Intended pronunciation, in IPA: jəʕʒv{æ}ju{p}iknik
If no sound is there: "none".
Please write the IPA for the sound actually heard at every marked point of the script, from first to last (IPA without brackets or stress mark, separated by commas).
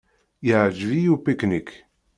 i, p